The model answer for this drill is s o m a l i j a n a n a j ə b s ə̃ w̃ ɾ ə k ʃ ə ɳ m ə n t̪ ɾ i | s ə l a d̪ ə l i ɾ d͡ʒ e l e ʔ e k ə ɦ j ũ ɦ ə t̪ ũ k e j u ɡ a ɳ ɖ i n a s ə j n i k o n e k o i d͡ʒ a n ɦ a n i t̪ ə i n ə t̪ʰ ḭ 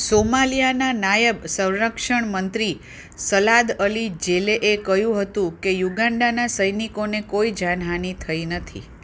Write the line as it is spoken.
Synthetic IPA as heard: s o m a l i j a n a n a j ə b s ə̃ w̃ ɾ ə k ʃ ə ɳ m ə n t̪ ɾ i | s ə l a d̪ ə l i d͡ʒ e l e ʔ e k ə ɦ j ũ ɦ ə t̪ ũ k e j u ɡ a ɳ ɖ a n a s ə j n i k o n e k o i d͡ʒ a n ɦ a n i t̪ʰ ə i n ə t̪ʰ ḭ